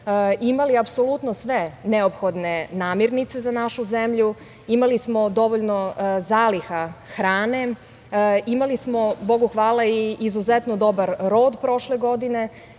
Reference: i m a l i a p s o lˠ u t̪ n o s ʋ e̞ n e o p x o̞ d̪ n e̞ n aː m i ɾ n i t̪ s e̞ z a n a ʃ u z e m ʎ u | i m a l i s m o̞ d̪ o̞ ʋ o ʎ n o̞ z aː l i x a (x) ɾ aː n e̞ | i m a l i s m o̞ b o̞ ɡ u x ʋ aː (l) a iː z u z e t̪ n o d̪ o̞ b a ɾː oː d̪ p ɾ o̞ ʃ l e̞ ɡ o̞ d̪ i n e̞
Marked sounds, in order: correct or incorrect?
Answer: correct, correct

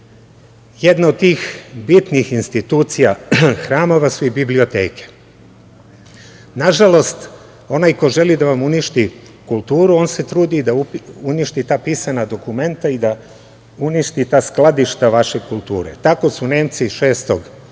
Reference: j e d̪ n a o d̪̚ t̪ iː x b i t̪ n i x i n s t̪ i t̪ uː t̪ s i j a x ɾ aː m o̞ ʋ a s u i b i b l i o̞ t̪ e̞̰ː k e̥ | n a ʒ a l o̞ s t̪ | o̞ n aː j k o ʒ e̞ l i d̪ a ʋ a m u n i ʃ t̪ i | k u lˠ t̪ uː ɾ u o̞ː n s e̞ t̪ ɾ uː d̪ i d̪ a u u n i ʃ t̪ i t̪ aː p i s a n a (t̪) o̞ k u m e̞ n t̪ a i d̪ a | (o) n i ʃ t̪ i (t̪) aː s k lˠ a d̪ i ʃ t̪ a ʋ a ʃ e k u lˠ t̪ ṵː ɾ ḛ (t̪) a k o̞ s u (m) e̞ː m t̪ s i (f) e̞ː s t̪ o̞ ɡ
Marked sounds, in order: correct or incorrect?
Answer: incorrect: d̪, incorrect: u, correct, correct, incorrect: n, incorrect: ʃ

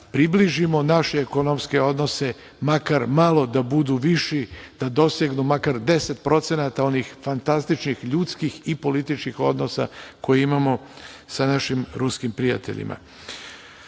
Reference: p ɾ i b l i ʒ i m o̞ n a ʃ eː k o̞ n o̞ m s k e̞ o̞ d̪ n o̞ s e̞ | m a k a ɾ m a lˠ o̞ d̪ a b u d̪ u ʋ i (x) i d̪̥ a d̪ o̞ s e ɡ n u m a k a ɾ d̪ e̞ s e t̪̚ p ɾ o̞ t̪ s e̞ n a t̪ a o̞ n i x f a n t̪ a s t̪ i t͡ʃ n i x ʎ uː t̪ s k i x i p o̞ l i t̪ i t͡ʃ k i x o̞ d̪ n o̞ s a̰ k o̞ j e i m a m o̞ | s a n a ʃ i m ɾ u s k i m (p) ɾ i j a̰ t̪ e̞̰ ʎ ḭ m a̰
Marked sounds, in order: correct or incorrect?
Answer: incorrect: ʃ, correct

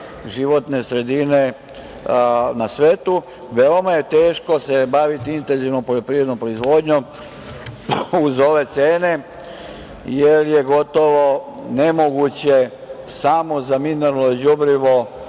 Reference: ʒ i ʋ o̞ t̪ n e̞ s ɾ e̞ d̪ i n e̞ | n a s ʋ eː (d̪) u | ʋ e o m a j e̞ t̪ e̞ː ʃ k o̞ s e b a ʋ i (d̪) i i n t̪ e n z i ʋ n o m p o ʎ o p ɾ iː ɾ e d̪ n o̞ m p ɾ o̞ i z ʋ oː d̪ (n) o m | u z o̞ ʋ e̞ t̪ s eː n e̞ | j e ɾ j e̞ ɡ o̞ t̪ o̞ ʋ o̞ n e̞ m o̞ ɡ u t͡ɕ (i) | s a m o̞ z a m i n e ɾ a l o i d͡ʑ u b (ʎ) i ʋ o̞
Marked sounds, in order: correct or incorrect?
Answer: incorrect: t̪, incorrect: t̪, incorrect: ɲ, incorrect: e, incorrect: ɾ

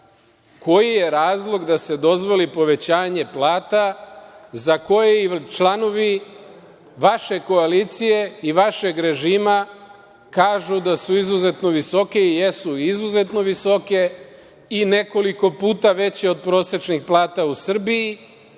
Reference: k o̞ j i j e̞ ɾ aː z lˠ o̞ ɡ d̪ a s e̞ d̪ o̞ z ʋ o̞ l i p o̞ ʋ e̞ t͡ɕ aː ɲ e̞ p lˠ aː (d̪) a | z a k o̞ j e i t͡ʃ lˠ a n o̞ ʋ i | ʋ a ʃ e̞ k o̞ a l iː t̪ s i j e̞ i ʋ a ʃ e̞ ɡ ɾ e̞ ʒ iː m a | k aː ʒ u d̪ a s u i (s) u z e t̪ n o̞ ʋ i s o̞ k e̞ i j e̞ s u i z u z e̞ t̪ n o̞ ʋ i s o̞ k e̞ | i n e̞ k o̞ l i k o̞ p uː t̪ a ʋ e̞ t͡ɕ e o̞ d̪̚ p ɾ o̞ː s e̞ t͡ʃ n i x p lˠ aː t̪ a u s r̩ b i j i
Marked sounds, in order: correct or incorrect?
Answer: incorrect: t̪, incorrect: z

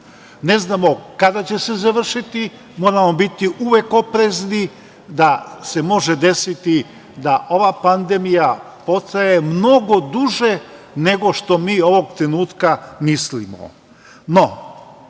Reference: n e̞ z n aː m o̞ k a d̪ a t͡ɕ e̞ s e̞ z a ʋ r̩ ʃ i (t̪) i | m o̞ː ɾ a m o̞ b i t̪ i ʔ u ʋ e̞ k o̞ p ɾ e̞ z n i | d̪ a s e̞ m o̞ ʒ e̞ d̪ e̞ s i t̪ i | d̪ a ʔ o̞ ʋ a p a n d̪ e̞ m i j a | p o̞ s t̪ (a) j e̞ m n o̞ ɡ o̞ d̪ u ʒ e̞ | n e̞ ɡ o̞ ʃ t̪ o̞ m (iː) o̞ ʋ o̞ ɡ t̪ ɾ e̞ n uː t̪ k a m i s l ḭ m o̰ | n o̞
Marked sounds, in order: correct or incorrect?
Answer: correct, correct, correct

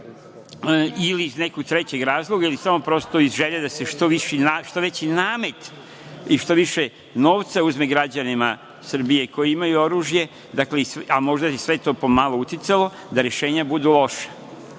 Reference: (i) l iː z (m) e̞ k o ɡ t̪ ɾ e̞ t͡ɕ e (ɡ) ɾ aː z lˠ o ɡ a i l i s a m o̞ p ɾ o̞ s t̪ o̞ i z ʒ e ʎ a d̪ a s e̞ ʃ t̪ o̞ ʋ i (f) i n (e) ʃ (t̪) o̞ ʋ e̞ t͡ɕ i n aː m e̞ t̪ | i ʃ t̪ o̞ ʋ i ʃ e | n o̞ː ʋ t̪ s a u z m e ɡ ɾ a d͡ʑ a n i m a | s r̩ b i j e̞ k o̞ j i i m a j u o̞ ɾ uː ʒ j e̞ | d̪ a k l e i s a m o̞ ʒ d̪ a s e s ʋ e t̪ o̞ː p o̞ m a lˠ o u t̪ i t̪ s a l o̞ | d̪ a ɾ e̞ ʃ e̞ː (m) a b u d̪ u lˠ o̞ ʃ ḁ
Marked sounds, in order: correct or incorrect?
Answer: correct, incorrect: n, correct, incorrect: ʃ, incorrect: a, correct, incorrect: ɲ

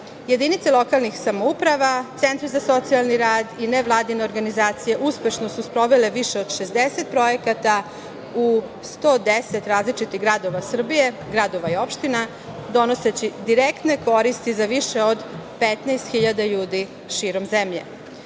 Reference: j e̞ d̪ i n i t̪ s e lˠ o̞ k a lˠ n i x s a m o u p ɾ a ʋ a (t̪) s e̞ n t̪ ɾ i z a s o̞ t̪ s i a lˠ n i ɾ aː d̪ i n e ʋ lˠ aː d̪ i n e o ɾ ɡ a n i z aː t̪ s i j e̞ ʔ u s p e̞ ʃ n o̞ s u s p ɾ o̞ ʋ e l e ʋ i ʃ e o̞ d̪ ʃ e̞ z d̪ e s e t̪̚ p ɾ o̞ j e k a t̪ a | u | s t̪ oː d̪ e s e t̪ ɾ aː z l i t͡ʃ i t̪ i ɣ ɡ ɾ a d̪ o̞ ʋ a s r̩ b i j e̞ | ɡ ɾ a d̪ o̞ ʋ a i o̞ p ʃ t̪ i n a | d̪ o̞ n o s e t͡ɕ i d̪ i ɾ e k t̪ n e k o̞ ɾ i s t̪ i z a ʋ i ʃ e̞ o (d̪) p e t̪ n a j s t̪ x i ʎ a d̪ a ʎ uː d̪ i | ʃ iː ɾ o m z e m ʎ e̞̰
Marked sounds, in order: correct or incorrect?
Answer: correct, correct

